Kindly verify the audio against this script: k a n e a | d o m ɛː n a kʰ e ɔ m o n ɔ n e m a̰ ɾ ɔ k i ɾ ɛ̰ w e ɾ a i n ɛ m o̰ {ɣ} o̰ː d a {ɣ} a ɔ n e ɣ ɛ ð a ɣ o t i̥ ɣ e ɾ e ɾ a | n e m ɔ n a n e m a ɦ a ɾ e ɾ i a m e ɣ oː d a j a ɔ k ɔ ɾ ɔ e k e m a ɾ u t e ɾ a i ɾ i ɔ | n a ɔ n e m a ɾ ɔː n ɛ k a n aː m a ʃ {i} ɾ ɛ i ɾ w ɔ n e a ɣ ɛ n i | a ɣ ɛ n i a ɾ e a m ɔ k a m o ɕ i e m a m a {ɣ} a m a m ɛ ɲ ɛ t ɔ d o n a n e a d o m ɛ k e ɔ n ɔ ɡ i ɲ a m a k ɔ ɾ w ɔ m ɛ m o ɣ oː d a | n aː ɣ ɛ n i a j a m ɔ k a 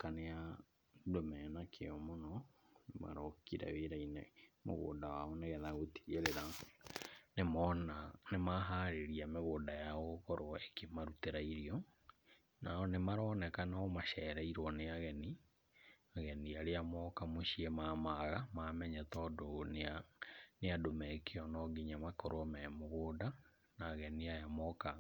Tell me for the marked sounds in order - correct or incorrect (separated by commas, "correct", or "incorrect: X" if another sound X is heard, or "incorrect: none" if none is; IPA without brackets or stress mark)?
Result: correct, incorrect: w, incorrect: ɛ, correct